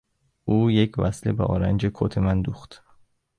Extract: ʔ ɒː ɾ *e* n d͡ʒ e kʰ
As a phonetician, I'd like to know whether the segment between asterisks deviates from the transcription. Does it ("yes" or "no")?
yes